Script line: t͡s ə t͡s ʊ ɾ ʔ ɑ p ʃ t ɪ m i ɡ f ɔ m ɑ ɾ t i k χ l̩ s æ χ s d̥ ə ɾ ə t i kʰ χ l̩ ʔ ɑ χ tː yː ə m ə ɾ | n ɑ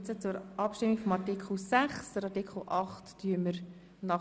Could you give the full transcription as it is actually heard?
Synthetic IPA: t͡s ə t͡s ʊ ɾ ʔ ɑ p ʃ t ɪ m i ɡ f ɔ m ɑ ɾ t i k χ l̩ s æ χ s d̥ ə ɾ ɑ t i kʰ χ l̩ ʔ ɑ χ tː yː ə m ə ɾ | n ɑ

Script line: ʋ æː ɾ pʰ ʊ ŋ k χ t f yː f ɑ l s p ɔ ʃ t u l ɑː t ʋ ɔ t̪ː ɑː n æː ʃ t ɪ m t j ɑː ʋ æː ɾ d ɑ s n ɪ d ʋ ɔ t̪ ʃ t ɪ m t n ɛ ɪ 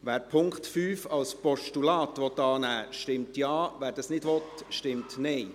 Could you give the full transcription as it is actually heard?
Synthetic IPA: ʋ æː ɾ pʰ ʊ ŋ k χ t f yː f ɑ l s p ɔ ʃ t u l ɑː t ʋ ɔ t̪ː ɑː n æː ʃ t ɪ m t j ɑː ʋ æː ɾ d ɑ s n ɪ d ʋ ɔ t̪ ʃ t ɪ m t n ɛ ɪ

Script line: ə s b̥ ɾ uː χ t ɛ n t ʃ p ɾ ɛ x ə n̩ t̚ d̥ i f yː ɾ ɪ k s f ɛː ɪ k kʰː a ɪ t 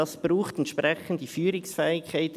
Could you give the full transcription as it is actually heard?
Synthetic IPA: ɑ s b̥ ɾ uː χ t ɛ n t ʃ p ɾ ɛ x ə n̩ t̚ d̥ i f yː ɾ ɪ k s f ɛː ɪ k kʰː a ɪ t

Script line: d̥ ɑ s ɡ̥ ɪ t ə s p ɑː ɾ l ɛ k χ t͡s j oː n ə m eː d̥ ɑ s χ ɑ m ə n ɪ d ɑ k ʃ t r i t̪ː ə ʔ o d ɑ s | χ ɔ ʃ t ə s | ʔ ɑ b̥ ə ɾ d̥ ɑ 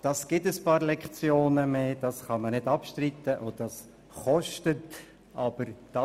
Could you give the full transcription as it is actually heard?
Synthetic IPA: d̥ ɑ s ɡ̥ ɪ t ə s p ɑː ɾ l ɛ k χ t͡s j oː n ə m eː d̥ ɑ s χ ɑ m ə n ɪ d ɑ p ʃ t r i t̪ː ə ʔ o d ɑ s | χ ɔ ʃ t ə t | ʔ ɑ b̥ ə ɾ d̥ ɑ

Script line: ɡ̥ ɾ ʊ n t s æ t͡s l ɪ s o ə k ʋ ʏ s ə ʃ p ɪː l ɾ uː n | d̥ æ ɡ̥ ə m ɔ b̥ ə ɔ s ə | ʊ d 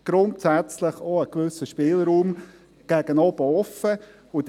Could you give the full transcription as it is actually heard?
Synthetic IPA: ɡ̥ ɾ ʊ n t s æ t͡s l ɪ χ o ə k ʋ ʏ s ə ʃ p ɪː l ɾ uː m | ɡ̥ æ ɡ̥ ə n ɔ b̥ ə ɔ f ə | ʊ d

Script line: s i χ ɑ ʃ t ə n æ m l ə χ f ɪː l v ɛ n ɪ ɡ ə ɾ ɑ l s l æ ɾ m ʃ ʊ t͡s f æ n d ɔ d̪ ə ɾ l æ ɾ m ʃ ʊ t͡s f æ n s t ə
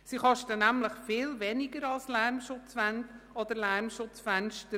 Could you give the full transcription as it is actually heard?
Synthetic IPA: s i χ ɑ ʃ t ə n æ m l ə χ f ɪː l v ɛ n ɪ ɡ ə ɾ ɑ l s l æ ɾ m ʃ ʊ t͡s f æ n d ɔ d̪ ə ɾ l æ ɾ m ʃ ʊ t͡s f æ n ʃ t ə

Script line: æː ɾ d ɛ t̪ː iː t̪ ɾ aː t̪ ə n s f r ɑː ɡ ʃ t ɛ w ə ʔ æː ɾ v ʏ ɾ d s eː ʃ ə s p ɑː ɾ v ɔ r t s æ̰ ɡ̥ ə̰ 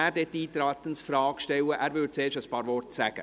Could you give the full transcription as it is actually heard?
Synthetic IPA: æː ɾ d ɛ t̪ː iː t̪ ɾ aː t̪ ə n s f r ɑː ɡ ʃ t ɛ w ə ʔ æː ɾ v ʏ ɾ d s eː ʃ ə s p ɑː ɾ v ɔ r t s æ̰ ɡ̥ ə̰

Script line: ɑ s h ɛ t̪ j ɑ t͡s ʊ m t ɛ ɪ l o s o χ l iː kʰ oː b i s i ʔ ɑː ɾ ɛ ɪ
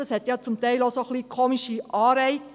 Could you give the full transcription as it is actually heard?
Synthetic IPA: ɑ s h ɛ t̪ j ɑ t͡s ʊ m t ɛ ɪ l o s o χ l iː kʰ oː m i ʃ i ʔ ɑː ɾ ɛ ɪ

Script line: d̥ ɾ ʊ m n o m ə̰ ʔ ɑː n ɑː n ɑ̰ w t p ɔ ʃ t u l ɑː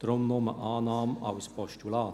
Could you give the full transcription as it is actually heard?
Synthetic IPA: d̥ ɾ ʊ m n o m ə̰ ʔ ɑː n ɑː m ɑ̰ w s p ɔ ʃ t u l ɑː

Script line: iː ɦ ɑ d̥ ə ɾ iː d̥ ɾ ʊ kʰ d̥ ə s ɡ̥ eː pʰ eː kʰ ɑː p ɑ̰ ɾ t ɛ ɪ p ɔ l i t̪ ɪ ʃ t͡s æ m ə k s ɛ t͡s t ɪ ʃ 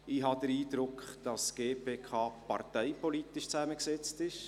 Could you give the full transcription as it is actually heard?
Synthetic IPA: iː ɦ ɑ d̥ ə ɾ iː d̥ ɾ ʊ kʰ d̥ ɑ s ɡ̥ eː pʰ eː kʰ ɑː p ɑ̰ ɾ t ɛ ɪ p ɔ l i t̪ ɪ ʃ t͡s æ m ə k s ɛ t͡s t ɪ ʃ

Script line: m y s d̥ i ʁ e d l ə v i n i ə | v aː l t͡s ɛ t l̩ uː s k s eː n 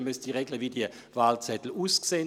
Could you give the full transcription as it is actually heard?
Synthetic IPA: m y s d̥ i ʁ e ɡ l ə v i d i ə | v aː l t͡s ɛ t l̩ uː s k s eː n

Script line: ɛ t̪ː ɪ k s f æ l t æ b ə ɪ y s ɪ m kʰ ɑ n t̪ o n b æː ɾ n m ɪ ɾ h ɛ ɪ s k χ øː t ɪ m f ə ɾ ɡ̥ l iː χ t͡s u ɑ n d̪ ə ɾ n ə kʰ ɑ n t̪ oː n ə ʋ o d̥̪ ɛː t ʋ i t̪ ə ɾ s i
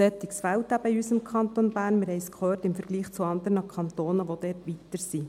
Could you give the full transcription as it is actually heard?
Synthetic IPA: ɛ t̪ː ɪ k s f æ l t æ b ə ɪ y s ɪ m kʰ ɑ n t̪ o n b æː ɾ n m ɪ ɾ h ɛ ɪ s k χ øː t ɪ m f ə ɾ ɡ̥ l iː χ t͡s u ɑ n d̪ ə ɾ n ə kʰ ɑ n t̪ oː n ə ʋ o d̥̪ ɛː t ʋ i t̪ ə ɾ s i

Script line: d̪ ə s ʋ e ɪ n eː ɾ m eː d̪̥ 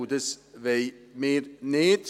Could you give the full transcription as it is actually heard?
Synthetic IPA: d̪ ə s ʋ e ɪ m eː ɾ n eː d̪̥

